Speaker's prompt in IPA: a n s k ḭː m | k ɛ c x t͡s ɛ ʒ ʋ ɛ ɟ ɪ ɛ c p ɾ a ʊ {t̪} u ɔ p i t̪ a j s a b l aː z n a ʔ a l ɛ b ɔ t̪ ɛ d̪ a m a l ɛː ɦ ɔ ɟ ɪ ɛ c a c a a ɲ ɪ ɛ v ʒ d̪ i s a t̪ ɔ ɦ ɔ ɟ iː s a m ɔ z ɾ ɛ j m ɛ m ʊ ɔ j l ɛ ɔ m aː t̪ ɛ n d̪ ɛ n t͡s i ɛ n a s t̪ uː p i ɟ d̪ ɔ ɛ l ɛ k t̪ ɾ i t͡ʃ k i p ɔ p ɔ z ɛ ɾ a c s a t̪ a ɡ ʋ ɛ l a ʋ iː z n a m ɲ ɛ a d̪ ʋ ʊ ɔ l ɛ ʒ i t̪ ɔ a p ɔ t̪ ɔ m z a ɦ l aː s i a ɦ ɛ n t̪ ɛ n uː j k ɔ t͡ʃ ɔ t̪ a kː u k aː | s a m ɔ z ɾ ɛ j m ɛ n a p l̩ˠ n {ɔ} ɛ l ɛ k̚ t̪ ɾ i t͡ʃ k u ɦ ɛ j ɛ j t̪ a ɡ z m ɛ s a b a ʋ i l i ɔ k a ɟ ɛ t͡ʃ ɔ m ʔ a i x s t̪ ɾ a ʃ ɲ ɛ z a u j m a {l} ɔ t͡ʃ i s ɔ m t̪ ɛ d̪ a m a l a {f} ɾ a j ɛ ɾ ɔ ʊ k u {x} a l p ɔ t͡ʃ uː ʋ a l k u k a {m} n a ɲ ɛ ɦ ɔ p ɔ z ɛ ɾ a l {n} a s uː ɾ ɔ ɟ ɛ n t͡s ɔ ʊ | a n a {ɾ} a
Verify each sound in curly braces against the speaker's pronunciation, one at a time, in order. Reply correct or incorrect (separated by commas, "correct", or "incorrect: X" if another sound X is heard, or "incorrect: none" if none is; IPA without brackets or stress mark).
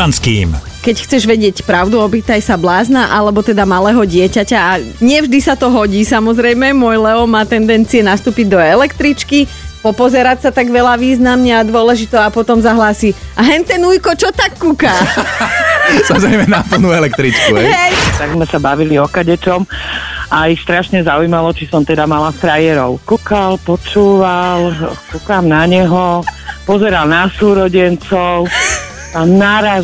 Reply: incorrect: d̪, incorrect: u, correct, correct, incorrect: k, correct, correct, correct